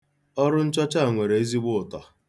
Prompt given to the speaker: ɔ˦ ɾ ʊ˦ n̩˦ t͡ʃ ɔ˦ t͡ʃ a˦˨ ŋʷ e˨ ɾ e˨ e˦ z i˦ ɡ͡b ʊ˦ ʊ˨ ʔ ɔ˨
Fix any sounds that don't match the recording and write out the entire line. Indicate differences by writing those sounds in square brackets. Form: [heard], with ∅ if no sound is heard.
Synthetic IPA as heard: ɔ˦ ɾ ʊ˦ n̩˦ t͡ʃ ɔ˦ t͡ʃ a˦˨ ŋʷ e˨ ɾ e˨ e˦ z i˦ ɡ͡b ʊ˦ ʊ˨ [t] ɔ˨